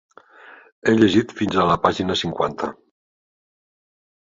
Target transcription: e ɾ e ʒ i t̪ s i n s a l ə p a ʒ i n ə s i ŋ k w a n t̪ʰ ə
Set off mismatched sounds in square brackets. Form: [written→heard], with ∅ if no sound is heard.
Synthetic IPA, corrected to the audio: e [ɾ→ʎ] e ʒ i t̪ [s→f] i n [s→z] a l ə p a ʒ i n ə s i ŋ k w a n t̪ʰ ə